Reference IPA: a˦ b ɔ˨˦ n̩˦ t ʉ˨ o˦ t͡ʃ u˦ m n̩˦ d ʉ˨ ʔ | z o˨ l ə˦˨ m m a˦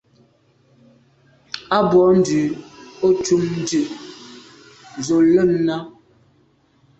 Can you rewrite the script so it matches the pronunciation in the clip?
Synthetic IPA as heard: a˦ b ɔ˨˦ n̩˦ d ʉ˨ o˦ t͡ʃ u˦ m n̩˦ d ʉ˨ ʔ | z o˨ l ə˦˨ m n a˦